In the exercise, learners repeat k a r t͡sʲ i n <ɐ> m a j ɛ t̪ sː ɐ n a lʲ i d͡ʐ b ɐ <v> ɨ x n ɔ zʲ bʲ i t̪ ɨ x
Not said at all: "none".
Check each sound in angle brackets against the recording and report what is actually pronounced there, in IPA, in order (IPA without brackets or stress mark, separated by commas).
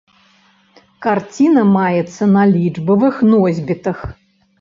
ɐ, v